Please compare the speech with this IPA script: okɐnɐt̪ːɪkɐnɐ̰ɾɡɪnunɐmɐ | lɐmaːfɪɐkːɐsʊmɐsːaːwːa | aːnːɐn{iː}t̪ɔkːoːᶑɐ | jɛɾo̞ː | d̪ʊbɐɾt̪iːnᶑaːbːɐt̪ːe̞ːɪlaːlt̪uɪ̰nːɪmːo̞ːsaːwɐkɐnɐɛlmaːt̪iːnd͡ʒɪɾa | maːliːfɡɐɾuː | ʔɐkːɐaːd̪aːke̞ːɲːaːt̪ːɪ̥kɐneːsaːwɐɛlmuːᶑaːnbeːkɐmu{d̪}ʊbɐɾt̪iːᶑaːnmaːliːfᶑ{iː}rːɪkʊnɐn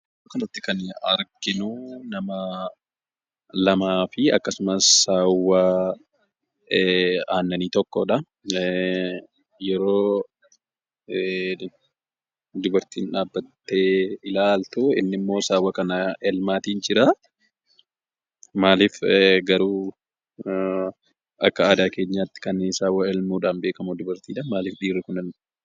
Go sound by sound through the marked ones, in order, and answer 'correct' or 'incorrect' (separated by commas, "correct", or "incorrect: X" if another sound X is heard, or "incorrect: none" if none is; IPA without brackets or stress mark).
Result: correct, correct, correct